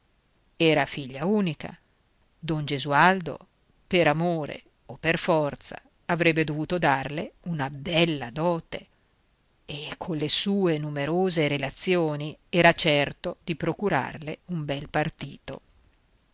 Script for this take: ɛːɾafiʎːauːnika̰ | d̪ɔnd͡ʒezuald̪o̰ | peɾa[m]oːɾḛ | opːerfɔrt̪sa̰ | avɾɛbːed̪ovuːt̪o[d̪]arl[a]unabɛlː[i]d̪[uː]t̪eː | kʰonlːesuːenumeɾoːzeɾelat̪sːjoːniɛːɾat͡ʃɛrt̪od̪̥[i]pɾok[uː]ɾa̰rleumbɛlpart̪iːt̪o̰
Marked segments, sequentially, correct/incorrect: correct, correct, incorrect, incorrect, incorrect, correct, incorrect

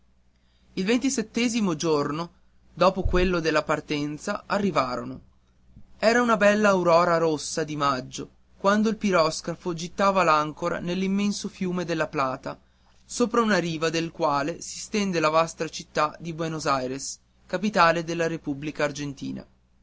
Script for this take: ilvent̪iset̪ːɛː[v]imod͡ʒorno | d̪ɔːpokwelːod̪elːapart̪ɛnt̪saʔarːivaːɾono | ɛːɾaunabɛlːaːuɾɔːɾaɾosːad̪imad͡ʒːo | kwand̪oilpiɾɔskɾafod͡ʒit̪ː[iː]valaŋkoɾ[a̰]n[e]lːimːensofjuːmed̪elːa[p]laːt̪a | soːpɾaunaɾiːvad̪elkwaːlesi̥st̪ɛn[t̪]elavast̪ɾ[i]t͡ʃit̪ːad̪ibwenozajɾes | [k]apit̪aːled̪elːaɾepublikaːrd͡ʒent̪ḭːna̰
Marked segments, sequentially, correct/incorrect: incorrect, incorrect, correct, correct, correct, incorrect, incorrect, correct

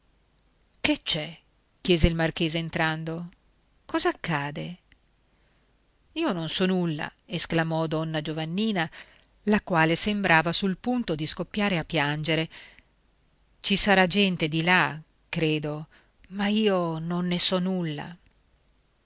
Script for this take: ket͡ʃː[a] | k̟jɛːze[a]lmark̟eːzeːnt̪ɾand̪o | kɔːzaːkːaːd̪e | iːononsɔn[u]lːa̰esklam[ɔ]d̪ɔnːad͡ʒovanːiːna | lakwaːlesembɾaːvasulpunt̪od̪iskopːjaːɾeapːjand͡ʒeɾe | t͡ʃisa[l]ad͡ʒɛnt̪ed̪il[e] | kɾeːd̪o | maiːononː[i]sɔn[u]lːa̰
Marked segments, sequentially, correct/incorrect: incorrect, incorrect, correct, correct, incorrect, incorrect, incorrect, correct

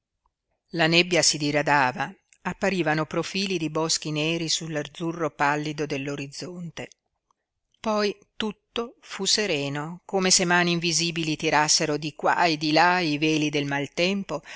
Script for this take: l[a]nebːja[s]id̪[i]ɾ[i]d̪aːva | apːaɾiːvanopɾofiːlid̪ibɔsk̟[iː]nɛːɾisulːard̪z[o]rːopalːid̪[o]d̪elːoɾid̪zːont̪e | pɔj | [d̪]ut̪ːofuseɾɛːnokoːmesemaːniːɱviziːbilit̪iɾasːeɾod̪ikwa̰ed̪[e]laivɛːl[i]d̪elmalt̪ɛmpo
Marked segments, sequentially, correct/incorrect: correct, correct, correct, incorrect, incorrect, incorrect, correct, incorrect, incorrect, correct

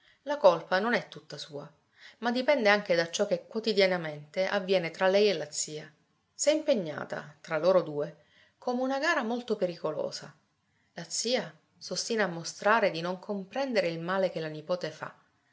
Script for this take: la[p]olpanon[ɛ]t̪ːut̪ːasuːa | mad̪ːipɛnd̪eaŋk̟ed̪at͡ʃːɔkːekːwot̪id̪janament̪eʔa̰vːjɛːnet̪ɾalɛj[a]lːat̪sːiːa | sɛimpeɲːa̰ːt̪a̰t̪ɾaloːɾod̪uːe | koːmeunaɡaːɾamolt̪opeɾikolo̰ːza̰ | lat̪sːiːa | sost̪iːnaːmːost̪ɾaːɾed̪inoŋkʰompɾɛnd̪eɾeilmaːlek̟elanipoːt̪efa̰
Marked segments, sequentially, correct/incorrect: incorrect, correct, incorrect

